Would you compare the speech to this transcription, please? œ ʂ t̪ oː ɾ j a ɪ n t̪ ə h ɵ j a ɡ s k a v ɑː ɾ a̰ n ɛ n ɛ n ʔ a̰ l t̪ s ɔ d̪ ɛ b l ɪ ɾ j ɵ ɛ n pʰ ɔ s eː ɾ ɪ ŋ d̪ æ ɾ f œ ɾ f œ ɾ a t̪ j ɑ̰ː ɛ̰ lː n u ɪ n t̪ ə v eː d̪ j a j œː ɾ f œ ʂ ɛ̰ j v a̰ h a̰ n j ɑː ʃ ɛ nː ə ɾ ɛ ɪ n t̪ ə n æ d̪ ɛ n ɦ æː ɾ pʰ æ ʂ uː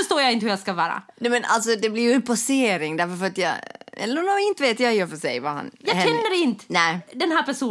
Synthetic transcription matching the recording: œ ʂ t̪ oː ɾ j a ɪ n t̪ ə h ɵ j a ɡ s k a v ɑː ɾ a̰ n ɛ m ɛ n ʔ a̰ l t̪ s ɔ d̪ ɛ b l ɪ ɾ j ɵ ɛ n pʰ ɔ s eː ɾ ɪ ŋ d̪ æ ɾ f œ ɾ f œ ɾ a t̪ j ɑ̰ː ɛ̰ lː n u ɪ n t̪ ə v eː t̪ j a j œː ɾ f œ ʂ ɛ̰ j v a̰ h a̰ n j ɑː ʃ ɛ nː ə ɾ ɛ ɪ n t̪ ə n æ d̪ ɛ n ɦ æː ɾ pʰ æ ʂ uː